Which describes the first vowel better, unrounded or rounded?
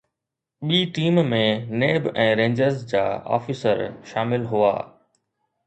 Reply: unrounded